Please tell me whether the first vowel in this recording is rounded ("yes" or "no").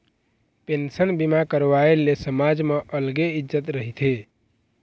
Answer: no